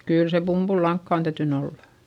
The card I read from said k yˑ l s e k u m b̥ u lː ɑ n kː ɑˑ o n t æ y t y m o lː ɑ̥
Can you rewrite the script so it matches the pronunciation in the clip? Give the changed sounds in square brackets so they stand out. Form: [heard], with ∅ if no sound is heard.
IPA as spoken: k yˑ l s e [p] u m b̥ u lː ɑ [ŋ] kː ɑˑ o n t æ y t y [n] o lː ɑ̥